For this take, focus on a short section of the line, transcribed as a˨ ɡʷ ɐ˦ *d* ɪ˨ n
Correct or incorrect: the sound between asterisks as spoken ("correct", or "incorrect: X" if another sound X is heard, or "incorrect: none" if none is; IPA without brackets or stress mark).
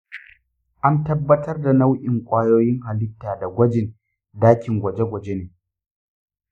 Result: incorrect: d͡ʒ